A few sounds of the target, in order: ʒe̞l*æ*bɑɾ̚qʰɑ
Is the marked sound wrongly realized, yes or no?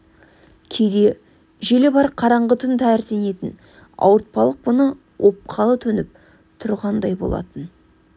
yes